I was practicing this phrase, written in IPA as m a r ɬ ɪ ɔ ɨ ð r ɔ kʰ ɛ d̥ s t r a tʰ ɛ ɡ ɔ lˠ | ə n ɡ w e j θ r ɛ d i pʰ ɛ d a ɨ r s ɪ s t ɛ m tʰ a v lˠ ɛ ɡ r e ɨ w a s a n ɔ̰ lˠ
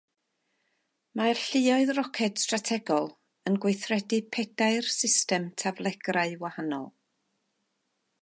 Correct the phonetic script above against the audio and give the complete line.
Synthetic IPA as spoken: m a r ɬ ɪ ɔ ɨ ð r ɔ kʰ ɛ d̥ s t r a tʰ ɛ ɡ ɔ lˠ | ə n ɡ w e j θ r ɛ d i pʰ ɛ d a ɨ r s ɪ s t ɛ m tʰ a v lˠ ɛ ɡ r a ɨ w a h a n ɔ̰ lˠ